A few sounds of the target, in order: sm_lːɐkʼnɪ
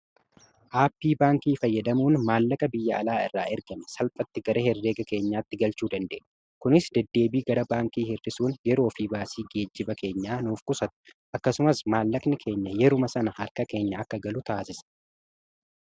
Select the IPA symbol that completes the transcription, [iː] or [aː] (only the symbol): aː